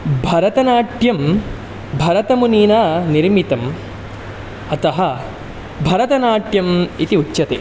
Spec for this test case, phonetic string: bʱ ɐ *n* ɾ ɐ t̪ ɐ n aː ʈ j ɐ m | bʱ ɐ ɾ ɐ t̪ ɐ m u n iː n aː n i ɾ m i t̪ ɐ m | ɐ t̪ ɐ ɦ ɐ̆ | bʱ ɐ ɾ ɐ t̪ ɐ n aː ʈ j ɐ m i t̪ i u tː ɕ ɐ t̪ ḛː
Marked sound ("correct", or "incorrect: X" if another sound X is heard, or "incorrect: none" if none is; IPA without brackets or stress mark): incorrect: none